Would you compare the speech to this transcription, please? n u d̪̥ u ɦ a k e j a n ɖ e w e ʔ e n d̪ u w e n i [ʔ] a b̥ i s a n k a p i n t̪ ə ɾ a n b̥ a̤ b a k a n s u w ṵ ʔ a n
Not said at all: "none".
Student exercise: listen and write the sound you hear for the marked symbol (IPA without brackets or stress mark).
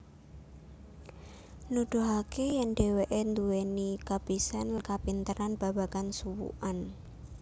k